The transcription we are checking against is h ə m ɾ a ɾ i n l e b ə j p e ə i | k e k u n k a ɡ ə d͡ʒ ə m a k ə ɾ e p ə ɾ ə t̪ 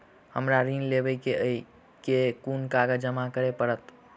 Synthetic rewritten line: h ə m ɾ a ɾ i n l e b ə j k e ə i | k e k u n k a ɡ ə d͡ʒ ə m a k ə ɾ e p ə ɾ ə t̪